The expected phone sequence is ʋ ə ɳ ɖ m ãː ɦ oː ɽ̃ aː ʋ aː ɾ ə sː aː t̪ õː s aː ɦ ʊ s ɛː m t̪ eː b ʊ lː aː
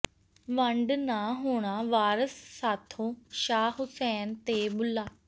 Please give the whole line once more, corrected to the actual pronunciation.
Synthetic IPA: ʋ ə ɳ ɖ n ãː ɦ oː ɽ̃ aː ʋ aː ɾ ə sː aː t̪ʰ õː ʃ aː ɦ ʊ s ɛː n t̪ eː b ʊ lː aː